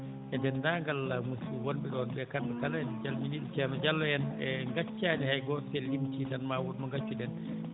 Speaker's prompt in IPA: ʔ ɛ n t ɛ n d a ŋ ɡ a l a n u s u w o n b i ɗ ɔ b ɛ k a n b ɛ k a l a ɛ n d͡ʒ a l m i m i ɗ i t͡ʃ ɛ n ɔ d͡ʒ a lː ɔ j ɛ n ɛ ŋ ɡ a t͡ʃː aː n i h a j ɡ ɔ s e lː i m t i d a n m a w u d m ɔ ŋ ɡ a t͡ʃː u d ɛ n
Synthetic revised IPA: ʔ ɛ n d ɛ n d a ŋ ɡ a l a m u s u w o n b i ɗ ɔ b ɛ k a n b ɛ k a l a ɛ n d͡ʒ a l m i n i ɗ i t͡ʃ ɛ n ɔ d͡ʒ a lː ɔ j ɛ n ɛ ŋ ɡ a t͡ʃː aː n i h a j ɡ ɔ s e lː i m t i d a n m a w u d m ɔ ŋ ɡ a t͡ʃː u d ɛ n